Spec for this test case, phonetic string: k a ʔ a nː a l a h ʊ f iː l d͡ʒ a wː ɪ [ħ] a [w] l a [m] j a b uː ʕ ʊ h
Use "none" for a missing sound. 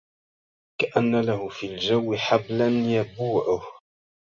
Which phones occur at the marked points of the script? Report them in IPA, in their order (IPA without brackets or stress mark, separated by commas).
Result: ħ, b, n